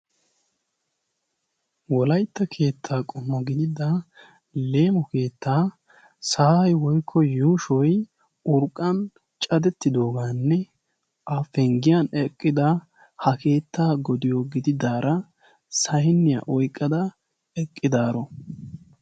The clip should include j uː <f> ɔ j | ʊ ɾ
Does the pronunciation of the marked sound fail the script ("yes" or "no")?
yes